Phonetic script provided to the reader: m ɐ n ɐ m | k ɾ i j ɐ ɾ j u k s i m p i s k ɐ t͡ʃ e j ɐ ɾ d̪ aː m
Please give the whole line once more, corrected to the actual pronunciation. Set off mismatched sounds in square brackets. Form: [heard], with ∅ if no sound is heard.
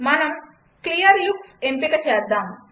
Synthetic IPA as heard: m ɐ n ɐ m | k [l] i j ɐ ɾ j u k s [e] m p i [∅] k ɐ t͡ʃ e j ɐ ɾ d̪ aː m